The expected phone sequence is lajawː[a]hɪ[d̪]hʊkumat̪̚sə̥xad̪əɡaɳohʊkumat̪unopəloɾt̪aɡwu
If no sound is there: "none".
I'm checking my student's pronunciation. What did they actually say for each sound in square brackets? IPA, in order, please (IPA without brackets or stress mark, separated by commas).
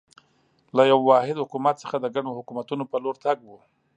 ɑ, d̪